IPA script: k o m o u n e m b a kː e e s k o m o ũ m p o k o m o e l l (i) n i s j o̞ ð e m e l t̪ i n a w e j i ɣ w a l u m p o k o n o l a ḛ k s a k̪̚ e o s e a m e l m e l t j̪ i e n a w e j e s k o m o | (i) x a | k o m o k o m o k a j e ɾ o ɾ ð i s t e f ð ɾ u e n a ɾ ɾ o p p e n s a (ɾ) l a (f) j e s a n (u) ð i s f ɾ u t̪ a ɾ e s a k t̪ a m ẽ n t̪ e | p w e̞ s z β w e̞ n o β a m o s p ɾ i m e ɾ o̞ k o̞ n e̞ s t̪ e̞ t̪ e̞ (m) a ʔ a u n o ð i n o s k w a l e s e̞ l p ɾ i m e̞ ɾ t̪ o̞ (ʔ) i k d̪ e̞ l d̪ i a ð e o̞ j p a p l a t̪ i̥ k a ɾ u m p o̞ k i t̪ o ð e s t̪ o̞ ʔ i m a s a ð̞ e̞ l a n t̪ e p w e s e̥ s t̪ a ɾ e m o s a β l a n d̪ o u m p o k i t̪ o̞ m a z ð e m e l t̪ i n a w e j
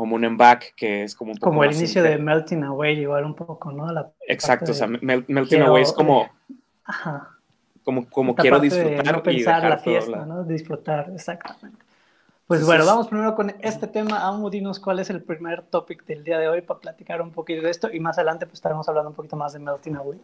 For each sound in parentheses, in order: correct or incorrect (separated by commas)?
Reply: correct, incorrect, correct, correct, incorrect, correct, incorrect